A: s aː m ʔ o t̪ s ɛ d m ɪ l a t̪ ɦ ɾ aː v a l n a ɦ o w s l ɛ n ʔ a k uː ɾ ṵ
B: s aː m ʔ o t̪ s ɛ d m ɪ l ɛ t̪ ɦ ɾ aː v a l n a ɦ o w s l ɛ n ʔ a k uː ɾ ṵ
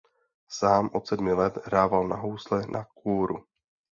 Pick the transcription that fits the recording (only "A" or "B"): B